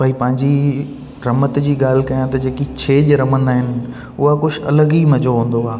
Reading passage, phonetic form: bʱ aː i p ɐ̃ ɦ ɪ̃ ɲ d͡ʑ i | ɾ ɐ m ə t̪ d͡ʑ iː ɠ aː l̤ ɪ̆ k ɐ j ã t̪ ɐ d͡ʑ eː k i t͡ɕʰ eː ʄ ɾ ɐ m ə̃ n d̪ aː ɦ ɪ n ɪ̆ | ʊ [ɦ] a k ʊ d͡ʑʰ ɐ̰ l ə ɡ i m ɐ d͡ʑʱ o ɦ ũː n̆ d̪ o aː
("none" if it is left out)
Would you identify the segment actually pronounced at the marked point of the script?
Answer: ɦ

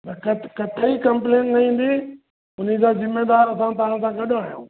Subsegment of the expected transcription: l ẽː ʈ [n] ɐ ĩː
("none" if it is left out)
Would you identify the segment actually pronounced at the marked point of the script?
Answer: n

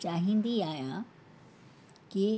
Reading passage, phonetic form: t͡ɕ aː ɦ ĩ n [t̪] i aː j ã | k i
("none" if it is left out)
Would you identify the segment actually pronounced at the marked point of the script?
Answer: d̪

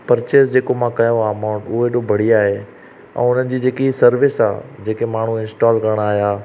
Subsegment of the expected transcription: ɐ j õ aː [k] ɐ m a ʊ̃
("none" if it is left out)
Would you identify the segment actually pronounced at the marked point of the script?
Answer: none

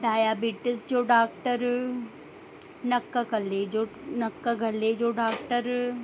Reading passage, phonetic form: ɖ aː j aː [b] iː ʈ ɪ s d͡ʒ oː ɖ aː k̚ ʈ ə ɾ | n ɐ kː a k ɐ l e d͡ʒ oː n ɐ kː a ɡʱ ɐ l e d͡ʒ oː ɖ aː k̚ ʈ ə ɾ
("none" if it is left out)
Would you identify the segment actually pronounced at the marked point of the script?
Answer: b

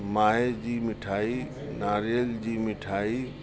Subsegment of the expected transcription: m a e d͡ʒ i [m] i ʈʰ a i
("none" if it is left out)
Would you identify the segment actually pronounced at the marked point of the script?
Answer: m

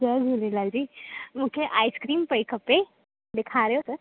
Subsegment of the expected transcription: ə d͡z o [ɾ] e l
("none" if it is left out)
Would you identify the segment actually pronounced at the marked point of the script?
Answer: l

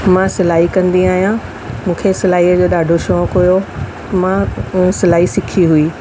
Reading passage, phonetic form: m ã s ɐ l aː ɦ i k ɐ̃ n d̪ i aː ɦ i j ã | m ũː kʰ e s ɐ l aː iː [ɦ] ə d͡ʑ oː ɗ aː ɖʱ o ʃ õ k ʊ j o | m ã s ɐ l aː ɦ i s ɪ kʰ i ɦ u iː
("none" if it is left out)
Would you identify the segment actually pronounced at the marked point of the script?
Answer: none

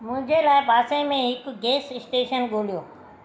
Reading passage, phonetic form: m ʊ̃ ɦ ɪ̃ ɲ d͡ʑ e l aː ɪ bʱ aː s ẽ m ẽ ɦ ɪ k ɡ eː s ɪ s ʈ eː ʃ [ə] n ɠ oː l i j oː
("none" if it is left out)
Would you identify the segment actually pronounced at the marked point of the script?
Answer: ə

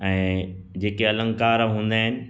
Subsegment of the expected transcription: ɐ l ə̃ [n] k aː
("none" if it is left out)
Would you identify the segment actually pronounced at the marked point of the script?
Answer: ŋ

